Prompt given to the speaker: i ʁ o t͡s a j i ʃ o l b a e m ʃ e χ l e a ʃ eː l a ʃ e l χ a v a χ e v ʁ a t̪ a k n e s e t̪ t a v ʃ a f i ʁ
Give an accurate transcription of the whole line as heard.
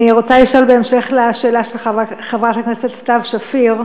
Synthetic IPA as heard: i ʁ o t͡s a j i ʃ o l b e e m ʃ e χ l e a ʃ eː l a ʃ e l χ a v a χ e v ʁ a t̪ a k n e s e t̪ t a v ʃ a f i ʁ